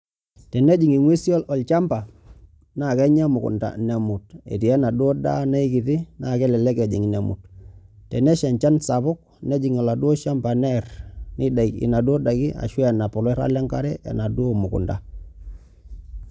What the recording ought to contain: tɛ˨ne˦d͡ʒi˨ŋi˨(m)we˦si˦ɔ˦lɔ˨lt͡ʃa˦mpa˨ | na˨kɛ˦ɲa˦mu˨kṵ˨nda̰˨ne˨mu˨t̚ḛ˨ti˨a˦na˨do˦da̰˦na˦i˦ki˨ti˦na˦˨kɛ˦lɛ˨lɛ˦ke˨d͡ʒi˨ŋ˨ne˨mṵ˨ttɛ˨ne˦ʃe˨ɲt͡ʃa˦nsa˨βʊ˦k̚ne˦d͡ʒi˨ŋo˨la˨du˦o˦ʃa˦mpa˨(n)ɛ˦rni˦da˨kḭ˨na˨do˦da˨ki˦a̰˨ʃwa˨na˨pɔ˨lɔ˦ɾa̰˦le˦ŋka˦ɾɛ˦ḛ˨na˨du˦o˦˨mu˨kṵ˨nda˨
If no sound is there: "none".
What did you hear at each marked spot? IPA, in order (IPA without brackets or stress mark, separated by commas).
ŋ, n